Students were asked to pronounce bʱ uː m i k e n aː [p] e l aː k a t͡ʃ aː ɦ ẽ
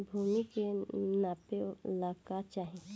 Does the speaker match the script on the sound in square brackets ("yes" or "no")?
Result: yes